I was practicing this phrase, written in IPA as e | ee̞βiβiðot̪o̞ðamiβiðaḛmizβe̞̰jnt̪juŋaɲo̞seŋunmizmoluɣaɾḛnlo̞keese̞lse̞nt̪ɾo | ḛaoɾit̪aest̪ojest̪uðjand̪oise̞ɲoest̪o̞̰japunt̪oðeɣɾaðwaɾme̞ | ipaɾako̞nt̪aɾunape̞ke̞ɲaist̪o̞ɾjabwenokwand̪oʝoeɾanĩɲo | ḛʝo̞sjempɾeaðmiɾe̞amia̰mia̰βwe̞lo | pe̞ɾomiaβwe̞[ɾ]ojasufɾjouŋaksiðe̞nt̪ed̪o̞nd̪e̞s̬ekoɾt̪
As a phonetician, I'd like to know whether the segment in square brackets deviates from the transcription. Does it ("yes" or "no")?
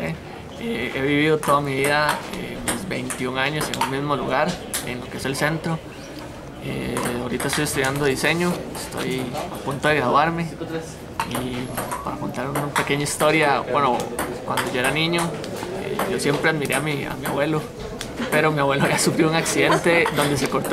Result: yes